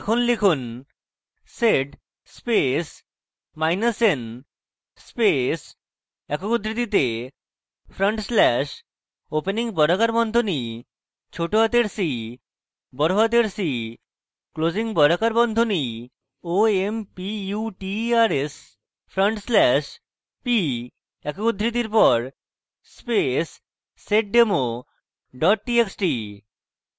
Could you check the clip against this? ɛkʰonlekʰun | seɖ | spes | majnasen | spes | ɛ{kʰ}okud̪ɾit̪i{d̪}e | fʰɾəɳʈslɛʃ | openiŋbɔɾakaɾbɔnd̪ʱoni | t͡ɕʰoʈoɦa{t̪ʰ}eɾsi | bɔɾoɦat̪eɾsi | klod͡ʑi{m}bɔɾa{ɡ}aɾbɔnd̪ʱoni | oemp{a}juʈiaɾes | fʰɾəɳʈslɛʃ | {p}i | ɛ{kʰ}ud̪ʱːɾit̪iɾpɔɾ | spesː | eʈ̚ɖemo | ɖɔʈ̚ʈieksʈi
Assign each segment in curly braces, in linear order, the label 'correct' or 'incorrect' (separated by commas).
incorrect, incorrect, incorrect, incorrect, incorrect, incorrect, correct, incorrect